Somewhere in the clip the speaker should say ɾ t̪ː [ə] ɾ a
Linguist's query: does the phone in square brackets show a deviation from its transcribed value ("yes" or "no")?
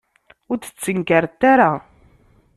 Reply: yes